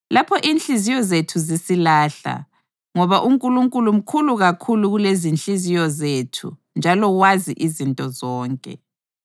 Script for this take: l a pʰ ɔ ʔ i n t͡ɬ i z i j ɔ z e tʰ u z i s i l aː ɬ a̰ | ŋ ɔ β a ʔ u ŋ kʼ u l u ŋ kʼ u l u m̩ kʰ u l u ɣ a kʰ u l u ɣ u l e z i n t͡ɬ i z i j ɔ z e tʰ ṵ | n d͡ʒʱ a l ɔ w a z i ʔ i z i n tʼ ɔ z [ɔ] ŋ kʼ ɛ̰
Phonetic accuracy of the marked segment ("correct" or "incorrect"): incorrect